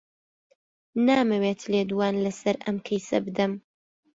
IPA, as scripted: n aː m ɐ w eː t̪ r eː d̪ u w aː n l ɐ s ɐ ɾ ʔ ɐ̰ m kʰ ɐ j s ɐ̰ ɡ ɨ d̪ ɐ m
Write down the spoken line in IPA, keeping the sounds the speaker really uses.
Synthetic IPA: n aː m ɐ w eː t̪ l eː d̪ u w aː n l ɐ s ɐ ɾ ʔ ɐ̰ m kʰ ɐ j s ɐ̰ b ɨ d̪ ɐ m